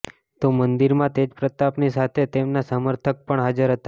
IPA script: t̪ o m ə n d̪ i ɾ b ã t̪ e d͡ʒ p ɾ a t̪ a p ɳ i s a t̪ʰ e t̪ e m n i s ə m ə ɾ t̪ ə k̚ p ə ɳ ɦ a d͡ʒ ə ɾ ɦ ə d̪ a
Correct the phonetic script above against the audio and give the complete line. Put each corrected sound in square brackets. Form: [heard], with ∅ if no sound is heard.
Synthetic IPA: t̪ o m ə n d̪ i ɾ [m] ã t̪ e d͡ʒ p ɾ [ə] t̪ a p [n] i s a t̪ʰ e t̪ e m n [a] s ə m ə ɾ [t̪ʰ] ə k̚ p ə ɳ ɦ a d͡ʒ ə ɾ ɦ ə [t̪] a